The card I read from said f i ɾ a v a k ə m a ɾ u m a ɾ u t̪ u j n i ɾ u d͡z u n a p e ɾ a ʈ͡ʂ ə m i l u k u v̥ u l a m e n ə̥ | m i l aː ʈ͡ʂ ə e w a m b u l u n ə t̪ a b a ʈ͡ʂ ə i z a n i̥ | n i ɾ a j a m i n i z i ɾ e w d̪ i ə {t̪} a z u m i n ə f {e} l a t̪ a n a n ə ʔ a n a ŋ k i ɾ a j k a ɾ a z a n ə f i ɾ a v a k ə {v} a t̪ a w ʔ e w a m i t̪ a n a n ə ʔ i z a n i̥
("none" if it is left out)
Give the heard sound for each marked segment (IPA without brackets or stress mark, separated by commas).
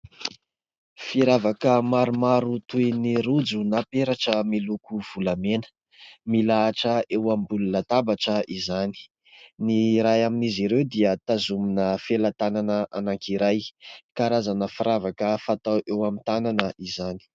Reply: t̪, e, f